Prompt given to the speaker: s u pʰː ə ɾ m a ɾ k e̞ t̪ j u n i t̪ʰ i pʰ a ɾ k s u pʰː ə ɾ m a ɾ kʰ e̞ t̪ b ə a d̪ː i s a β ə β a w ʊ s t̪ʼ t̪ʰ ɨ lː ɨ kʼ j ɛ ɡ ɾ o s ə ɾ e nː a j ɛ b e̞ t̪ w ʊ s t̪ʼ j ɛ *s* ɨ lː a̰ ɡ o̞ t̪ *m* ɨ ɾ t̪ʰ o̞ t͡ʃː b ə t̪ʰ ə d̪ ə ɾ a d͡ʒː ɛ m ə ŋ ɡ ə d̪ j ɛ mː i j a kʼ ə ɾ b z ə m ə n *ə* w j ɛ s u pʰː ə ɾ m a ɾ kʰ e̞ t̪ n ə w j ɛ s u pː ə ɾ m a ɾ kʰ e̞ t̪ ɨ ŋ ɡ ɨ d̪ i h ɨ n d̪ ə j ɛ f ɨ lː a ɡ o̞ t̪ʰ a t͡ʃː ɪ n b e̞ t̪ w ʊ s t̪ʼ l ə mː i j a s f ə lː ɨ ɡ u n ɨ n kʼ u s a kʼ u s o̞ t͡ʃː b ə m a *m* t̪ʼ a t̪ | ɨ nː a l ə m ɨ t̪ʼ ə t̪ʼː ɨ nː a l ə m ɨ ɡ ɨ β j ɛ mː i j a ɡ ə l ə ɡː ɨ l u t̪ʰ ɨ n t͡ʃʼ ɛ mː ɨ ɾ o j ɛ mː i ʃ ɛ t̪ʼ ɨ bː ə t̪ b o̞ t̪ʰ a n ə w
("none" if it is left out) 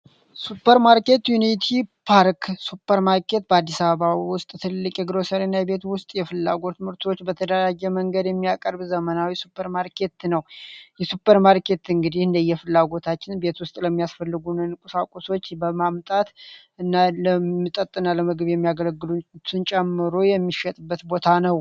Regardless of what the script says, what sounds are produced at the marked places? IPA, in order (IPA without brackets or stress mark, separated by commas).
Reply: f, m, a, m